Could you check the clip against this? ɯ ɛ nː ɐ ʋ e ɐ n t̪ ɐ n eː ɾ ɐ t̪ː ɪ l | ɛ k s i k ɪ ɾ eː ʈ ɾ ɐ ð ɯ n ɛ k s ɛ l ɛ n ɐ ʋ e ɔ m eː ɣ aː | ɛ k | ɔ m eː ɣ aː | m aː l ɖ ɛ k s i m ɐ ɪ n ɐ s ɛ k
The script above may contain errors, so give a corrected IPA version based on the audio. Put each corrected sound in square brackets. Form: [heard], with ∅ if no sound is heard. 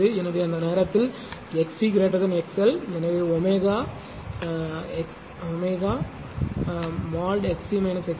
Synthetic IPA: ɯ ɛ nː ɐ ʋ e ɐ n [d̪] ɐ n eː ɾ ɐ t̪ː ɪ l | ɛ k s i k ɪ ɾ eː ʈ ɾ ɐ ð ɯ n ɛ k s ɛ l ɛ n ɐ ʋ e ɔ m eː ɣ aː | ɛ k | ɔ m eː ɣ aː | m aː l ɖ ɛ k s i m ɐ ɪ n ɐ s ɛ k